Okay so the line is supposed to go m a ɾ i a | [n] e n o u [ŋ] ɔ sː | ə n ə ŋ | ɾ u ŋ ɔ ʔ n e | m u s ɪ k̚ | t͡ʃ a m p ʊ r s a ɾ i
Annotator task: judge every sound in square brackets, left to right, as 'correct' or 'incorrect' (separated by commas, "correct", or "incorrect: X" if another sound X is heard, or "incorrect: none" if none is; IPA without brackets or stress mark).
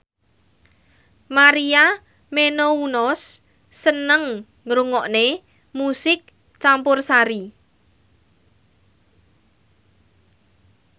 incorrect: m, incorrect: n